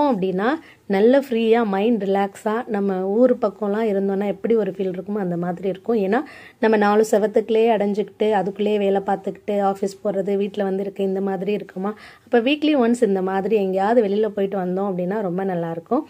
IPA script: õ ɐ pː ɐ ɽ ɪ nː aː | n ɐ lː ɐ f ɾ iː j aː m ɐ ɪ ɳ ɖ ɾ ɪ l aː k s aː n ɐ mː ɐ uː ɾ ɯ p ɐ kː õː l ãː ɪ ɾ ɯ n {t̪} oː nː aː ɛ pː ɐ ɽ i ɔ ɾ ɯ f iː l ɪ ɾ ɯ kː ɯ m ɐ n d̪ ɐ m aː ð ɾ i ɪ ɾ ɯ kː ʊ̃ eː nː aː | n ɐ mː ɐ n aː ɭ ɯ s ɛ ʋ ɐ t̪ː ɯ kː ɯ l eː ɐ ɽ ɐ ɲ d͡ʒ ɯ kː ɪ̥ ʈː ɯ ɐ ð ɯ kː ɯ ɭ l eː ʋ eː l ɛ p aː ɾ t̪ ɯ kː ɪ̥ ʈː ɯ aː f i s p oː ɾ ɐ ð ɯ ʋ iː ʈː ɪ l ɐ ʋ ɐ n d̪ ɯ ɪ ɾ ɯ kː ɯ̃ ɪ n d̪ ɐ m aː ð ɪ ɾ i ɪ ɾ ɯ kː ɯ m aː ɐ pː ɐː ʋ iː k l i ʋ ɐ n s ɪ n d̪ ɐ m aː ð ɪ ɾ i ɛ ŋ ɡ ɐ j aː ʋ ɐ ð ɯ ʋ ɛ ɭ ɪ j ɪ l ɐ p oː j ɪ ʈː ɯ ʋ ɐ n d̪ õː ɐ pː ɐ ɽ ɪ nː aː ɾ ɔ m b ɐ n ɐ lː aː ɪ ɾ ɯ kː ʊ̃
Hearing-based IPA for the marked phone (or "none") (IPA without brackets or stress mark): d̪